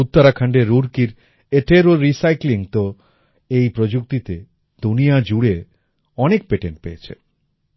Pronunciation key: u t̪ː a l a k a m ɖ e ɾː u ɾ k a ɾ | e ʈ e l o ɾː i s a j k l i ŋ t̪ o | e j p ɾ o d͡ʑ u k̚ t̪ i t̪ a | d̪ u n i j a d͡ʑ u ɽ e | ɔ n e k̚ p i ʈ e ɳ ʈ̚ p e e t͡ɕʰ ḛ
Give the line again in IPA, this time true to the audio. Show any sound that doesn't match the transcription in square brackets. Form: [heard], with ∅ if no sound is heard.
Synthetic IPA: u t̪ː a [ɾ] a [kʰ] a [ɳ] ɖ e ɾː u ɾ k [i] ɾ | e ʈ e [ɾ] o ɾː i s a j k l i ŋ t̪ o | e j p ɾ o d͡ʑ u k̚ t̪ i t̪ [e] | d̪ u n i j a d͡ʑ u ɽ e | ɔ n e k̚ p [e] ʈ e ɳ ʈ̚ p e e t͡ɕʰ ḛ